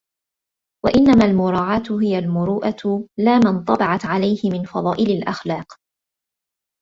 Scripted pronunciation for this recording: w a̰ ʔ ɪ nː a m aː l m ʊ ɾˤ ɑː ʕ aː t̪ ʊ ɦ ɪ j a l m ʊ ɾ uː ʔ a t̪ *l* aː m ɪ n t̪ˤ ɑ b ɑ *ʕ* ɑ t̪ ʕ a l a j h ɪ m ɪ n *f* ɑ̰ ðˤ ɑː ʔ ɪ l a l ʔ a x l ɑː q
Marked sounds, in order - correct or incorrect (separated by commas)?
correct, correct, correct